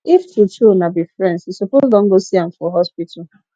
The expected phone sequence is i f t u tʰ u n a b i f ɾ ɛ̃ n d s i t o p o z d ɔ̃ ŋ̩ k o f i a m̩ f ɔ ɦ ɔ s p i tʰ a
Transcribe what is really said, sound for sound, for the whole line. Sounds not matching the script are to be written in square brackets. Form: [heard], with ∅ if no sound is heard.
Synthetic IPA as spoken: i f t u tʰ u n a b i f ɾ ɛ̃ n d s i [s] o p o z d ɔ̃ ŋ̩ [ɡ] o [s] i a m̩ f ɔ ɦ ɔ s p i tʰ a